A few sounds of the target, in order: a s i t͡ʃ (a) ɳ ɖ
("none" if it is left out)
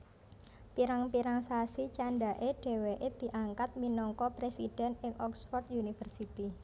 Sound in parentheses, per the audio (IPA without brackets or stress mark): a